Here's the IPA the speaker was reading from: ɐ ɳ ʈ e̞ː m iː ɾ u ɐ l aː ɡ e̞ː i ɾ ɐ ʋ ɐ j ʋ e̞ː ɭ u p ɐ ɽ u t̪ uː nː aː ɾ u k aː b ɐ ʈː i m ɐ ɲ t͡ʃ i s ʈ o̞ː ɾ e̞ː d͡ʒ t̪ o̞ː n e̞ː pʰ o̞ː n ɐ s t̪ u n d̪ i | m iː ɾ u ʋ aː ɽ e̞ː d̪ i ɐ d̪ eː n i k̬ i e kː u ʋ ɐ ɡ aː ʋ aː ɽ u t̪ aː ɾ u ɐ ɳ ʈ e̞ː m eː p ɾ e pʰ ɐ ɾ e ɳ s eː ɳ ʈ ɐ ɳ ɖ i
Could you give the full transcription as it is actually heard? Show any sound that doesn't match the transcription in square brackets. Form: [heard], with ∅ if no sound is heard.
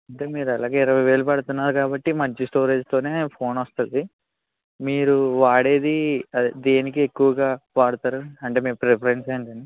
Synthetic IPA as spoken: ɐ ɳ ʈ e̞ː m iː ɾ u ɐ l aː ɡ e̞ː i ɾ ɐ ʋ ɐ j ʋ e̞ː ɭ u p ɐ ɽ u t̪ [u] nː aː ɾ u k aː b ɐ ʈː i m ɐ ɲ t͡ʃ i s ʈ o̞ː ɾ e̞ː d͡ʒ t̪ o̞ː n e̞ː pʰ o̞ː n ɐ s t̪ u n d̪ i | m iː ɾ u ʋ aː ɽ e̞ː d̪ i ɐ d̪ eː n i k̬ i e kː u ʋ ɐ ɡ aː ʋ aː ɽ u t̪ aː ɾ u ɐ ɳ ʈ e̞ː m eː p ɾ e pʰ ɐ ɾ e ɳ s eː ɳ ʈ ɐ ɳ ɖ i